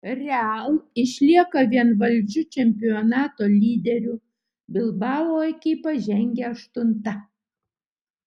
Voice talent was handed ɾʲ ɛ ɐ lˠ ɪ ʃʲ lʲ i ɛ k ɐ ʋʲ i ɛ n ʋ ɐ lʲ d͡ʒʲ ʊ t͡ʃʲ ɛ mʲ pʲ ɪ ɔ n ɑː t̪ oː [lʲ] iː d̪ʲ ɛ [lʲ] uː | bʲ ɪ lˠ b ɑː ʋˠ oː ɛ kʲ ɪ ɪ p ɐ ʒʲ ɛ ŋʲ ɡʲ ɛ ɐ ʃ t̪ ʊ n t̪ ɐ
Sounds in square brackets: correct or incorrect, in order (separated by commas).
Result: correct, incorrect